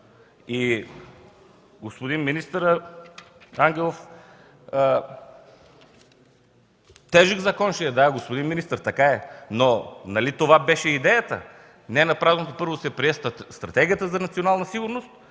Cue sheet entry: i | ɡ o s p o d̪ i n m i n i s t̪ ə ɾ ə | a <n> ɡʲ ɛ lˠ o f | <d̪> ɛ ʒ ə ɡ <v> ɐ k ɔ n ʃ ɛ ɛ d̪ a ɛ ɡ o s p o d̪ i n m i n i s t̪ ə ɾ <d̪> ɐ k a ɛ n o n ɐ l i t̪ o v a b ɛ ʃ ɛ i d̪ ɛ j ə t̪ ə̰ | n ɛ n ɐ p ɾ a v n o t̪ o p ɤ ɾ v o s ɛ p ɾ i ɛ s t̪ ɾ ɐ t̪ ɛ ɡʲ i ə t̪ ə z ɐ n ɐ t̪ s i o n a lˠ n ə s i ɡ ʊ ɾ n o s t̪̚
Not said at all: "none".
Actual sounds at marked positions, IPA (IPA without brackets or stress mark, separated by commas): ŋ, t̪, z, t̪